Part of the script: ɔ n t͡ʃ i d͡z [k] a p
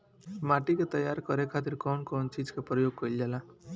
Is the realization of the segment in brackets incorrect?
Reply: no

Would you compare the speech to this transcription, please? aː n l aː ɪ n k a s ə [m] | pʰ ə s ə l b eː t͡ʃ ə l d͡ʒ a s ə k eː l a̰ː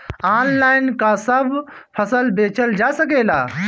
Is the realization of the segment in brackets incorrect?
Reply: yes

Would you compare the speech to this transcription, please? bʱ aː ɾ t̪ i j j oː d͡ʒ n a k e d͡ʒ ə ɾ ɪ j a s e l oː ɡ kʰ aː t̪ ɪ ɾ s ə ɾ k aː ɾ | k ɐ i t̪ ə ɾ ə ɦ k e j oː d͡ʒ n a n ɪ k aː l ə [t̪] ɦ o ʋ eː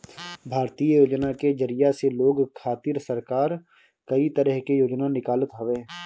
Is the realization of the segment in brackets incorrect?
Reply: no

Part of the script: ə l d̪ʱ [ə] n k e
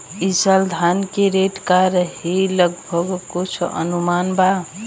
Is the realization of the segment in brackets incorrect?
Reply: yes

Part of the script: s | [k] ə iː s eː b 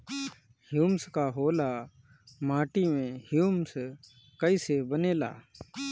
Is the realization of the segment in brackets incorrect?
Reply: no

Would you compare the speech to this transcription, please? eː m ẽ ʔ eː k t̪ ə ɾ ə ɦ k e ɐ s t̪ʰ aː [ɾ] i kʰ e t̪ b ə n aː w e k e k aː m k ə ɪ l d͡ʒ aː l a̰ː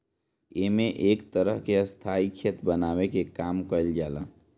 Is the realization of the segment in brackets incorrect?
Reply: yes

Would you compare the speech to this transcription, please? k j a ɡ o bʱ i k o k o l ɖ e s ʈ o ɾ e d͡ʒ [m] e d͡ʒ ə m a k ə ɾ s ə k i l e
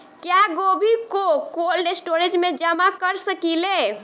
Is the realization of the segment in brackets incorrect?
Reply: no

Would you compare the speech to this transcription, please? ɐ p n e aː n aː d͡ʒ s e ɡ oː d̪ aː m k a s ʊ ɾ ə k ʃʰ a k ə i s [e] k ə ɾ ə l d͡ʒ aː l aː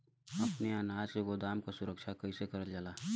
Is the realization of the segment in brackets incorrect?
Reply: no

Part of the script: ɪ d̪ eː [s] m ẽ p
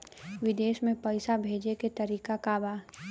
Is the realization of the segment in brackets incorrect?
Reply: yes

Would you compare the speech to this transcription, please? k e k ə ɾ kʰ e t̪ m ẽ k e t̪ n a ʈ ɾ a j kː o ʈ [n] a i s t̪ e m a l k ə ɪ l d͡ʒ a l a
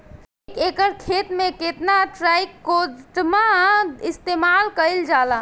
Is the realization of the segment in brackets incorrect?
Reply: yes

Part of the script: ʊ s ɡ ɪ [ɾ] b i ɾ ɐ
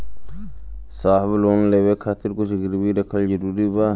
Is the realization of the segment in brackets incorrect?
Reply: no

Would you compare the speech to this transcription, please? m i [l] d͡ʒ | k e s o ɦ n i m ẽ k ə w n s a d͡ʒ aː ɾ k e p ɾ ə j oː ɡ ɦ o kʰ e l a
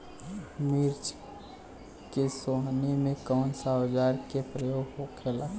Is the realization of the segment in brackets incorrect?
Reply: yes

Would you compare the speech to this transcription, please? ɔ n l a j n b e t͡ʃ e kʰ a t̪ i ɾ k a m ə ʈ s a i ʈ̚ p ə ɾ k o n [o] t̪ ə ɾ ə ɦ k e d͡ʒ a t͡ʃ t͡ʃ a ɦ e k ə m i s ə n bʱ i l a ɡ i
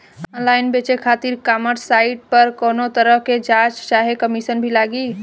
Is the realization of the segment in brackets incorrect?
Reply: no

